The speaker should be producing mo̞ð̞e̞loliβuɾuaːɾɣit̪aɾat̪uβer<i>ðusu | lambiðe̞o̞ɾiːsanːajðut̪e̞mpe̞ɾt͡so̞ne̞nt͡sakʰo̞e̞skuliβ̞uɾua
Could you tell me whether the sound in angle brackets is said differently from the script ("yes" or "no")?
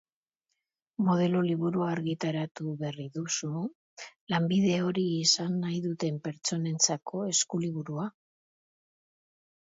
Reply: no